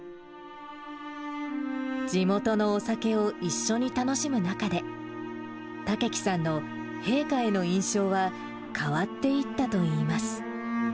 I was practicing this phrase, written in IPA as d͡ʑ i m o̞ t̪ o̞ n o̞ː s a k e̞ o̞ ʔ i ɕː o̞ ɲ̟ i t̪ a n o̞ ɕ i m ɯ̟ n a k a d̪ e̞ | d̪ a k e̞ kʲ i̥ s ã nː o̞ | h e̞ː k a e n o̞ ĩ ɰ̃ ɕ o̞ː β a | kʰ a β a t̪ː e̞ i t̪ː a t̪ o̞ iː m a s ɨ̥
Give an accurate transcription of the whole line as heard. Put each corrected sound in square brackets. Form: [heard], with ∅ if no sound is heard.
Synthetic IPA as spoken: d͡ʑ i m o̞ t̪ o̞ n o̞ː s a k e̞ o̞ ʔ i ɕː o̞ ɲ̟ i t̪ a n o̞ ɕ i m ɯ̟ n a k a d̪ e̞ | [t̪] a k e̞ kʲ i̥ s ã nː o̞ | h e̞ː k a e n o̞ ĩ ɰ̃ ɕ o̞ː β a | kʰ a β a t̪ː e̞ i t̪ː a t̪ o̞ iː m a s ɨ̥